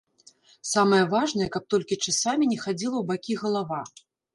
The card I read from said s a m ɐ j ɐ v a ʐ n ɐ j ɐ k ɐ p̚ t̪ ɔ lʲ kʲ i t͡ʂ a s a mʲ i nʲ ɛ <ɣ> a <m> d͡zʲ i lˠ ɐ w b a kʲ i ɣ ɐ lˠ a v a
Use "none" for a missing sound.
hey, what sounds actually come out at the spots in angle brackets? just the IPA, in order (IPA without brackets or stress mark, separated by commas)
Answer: x, none